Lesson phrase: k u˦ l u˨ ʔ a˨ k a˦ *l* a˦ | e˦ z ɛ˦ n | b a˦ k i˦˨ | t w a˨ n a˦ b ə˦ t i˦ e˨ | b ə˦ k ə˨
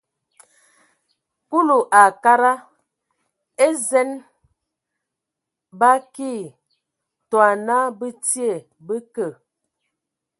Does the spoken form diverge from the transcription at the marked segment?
yes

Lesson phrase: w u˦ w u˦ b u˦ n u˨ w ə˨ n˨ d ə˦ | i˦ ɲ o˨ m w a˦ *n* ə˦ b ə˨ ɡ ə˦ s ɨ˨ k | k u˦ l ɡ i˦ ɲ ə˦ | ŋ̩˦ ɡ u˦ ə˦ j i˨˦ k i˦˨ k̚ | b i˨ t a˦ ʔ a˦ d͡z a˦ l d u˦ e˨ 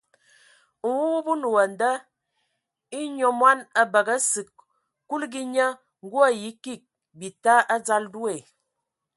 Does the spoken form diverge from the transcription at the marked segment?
no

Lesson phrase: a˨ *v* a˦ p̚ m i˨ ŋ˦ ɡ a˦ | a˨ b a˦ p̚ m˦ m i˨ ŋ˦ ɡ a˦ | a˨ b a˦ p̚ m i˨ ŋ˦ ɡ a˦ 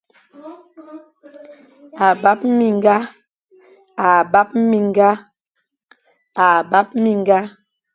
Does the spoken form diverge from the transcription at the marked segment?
yes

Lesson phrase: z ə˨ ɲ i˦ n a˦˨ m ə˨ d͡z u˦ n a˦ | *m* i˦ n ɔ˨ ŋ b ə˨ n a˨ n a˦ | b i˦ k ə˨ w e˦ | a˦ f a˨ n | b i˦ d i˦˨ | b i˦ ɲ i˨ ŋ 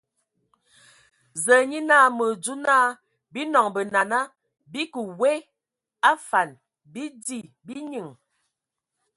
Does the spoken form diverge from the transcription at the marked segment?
yes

